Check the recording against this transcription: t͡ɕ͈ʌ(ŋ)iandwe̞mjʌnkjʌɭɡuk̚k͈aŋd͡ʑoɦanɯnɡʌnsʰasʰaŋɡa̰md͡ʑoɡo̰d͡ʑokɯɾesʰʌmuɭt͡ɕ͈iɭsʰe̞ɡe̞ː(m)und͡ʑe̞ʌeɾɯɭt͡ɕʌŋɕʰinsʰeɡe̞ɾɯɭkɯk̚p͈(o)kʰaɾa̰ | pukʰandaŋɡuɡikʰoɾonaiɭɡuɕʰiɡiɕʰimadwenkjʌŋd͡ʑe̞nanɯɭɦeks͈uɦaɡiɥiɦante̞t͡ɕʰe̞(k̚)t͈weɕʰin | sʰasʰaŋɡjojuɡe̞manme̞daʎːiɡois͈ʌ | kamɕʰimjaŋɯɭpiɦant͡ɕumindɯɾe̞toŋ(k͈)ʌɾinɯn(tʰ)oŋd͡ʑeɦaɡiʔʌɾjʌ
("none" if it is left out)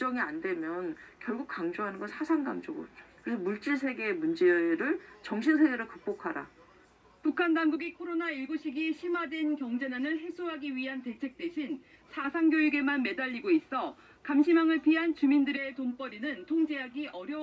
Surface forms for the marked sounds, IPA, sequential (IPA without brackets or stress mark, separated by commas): ŋ, m, o, k̚, p͈, tʰ